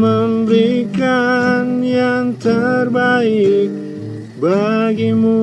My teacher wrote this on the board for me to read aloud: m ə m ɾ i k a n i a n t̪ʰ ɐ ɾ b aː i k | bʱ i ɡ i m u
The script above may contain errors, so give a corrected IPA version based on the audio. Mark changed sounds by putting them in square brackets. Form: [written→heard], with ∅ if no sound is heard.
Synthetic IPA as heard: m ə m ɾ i k a n [i→j] a n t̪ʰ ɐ ɾ b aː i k | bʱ [i→a] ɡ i m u